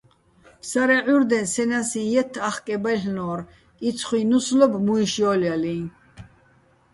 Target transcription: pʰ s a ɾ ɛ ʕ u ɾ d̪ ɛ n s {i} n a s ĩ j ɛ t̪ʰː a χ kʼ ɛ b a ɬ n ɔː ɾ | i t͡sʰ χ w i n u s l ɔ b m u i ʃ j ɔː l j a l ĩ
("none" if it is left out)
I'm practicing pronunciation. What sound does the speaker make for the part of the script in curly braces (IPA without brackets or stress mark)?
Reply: ɛ